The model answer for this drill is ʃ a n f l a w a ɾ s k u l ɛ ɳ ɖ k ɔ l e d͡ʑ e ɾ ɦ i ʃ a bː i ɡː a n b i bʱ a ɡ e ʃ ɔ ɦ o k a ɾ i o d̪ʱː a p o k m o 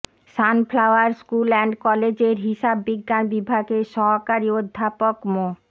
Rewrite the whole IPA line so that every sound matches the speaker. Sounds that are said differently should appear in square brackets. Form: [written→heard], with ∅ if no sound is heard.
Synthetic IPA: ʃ a n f l a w a ɾ s k u l ɛ ɳ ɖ k ɔ l e d͡ʑ e ɾ ɦ i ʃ a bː i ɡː a n b i bʱ a ɡ e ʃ ɔ ɦ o k a ɾ i o d̪ʱː a p o k m o